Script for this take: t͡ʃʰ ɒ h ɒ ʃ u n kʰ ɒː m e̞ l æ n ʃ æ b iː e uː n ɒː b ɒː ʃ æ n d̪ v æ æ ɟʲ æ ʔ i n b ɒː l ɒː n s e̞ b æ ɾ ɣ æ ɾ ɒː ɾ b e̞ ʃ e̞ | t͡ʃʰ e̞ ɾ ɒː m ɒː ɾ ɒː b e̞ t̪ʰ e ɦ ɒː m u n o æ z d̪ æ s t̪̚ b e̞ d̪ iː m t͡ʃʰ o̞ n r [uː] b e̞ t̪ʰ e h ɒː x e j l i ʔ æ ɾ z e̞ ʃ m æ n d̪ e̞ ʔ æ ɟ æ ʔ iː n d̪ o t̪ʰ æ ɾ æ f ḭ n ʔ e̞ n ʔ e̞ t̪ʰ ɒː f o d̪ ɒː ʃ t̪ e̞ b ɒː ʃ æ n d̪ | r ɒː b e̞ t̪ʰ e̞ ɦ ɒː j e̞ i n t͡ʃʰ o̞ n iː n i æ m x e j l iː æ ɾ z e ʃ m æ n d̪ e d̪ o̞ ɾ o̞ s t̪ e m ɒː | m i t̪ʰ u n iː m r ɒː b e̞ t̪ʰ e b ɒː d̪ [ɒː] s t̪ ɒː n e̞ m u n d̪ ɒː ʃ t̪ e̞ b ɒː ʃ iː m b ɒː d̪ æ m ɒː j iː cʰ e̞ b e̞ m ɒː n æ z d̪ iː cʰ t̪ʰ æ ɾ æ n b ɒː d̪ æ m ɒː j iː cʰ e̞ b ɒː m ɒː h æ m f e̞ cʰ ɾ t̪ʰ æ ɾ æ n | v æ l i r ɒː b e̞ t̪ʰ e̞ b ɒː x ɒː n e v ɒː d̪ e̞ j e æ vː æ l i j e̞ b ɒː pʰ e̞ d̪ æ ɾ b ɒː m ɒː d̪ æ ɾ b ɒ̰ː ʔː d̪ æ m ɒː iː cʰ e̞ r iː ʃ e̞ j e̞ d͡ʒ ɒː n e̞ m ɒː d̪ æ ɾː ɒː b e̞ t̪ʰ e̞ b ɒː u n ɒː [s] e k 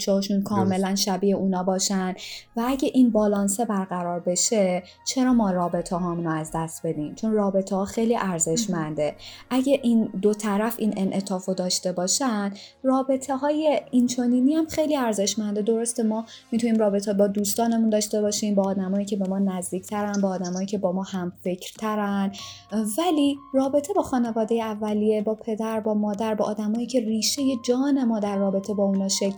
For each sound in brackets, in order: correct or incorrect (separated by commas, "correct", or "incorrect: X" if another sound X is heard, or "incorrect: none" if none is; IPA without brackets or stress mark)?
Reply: incorrect: ɒː, incorrect: uː, incorrect: ʃ